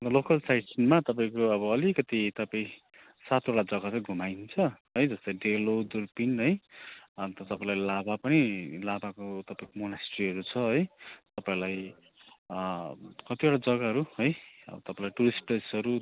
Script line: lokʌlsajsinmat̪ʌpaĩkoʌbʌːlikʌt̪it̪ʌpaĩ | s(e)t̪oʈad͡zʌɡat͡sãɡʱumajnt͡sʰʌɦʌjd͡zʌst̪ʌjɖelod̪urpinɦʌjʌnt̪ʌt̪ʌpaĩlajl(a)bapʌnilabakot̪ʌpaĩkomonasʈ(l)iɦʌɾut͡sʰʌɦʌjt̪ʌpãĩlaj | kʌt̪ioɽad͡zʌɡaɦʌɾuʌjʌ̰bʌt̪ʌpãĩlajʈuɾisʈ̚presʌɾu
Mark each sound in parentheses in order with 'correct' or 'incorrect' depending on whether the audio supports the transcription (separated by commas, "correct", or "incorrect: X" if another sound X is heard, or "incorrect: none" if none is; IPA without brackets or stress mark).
incorrect: a, correct, incorrect: r